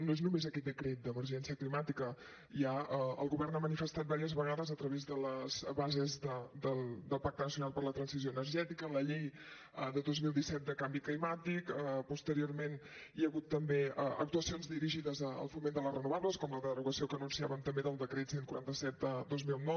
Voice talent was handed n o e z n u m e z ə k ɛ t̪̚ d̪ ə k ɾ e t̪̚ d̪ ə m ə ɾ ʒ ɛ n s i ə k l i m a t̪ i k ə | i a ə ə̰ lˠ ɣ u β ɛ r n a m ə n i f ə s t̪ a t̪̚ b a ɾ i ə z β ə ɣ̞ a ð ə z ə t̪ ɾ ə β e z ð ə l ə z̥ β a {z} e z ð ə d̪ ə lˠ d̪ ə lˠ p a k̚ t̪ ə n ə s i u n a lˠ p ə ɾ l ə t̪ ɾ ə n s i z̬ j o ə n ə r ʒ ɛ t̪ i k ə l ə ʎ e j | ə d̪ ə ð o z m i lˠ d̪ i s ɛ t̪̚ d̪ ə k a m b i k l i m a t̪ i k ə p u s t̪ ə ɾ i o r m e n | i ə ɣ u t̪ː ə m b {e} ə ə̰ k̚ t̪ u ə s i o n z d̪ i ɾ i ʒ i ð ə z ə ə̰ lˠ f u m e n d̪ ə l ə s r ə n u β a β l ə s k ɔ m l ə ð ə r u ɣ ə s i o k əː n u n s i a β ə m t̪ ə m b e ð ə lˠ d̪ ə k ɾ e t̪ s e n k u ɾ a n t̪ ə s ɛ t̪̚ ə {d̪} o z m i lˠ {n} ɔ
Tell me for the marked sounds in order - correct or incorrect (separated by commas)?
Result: correct, correct, correct, correct